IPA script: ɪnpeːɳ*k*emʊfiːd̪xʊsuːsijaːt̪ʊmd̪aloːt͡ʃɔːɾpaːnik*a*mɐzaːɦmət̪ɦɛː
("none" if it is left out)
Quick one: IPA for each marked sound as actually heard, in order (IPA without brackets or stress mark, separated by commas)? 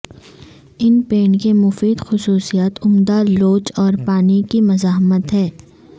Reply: k, i